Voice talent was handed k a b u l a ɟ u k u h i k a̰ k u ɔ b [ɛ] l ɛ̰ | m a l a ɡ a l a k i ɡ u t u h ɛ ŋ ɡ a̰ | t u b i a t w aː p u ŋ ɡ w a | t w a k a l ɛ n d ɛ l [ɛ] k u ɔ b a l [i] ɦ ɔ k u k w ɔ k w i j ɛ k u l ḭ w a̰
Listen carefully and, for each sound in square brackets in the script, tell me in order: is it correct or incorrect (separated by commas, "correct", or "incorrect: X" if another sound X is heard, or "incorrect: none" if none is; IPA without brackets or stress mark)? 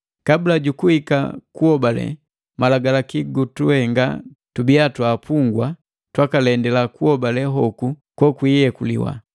incorrect: a, incorrect: a, incorrect: ɛ